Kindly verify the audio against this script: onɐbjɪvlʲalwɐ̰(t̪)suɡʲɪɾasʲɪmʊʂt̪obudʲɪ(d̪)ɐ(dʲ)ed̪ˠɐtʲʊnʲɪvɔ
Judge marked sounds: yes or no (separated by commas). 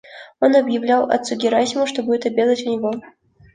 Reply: yes, no, no